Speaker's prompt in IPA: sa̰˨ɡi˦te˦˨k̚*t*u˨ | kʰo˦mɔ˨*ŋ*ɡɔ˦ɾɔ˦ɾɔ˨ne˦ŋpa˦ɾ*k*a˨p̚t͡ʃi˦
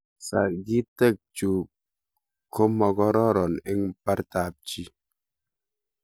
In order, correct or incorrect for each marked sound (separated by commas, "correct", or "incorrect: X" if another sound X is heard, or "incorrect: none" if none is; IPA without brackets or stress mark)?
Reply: incorrect: t͡ʃ, incorrect: none, incorrect: t